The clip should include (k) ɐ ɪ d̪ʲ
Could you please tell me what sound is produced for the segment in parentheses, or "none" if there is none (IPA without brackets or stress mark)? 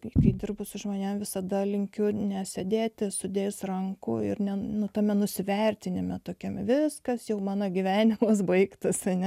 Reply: k